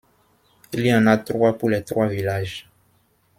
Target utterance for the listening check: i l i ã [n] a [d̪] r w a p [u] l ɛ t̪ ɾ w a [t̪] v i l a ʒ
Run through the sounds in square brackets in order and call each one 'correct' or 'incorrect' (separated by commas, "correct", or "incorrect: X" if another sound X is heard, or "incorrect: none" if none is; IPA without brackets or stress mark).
correct, incorrect: t̪, correct, incorrect: none